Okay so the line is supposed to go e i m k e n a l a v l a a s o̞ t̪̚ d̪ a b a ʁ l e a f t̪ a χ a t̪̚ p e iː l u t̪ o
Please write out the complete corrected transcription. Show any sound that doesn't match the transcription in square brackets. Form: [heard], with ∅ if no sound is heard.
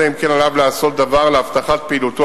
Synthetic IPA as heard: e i m k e n a l a v l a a s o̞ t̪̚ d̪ a [v] a ʁ l e a f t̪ a χ a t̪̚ p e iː l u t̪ o

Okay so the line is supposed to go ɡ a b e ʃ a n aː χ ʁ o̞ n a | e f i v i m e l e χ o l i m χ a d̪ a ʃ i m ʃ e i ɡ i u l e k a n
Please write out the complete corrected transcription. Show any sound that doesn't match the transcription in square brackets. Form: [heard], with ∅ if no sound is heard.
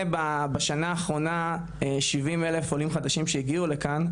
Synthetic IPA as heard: [b] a b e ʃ a n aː χ ʁ o̞ n a | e [ʃ] i v i m e l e [f] o l i m χ a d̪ a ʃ i m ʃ e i ɡ i u l e k a n

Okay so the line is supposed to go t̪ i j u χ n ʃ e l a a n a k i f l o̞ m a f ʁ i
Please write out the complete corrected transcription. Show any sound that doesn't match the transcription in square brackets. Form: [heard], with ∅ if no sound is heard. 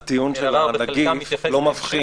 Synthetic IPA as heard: t̪ i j u [∅] n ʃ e l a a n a [ɡ] i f l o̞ m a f [χ] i

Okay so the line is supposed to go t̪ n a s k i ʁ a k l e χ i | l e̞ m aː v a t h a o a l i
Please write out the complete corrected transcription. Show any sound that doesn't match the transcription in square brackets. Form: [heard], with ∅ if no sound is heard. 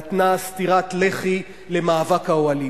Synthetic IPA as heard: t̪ n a s [t] i ʁ a [t] l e χ i | l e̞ m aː v a [k] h a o a l i

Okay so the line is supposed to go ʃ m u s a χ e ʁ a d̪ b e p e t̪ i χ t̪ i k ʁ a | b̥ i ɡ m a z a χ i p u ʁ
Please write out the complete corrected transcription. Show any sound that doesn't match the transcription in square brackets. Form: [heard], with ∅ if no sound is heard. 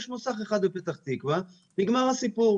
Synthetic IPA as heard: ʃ m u s a χ e [χ] a d̪ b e p e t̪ [a] χ t̪ i k [v] a | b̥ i ɡ m a [ʁ] a [s] i p u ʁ

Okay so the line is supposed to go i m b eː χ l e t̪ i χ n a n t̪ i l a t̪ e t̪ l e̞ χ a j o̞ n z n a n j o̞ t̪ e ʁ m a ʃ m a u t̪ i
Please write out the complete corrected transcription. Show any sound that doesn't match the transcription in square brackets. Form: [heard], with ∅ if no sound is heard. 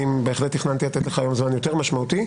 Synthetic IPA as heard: i m b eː χ l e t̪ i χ n a n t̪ i l a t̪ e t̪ l e̞ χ a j o̞ [m] z [m] a n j o̞ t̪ e ʁ m a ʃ m a u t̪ i

